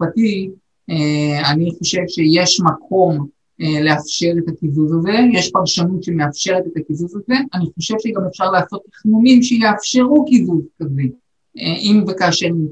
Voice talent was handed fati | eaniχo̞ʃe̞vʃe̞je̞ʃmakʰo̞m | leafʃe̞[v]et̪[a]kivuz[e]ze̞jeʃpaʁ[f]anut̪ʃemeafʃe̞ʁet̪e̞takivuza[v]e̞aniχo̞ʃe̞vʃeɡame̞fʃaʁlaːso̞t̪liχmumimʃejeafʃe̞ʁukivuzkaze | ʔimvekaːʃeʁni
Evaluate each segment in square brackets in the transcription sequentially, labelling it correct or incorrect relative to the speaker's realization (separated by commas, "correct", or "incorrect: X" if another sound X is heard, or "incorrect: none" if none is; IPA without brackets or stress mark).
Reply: incorrect: ʁ, correct, incorrect: a, incorrect: ʃ, incorrect: z